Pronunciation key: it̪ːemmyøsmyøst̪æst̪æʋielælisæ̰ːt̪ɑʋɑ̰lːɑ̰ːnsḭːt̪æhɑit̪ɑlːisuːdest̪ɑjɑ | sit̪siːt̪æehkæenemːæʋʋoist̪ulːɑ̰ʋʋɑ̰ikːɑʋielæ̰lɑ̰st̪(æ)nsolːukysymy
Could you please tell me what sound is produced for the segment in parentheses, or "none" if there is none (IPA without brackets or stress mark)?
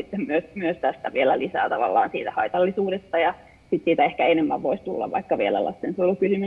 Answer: e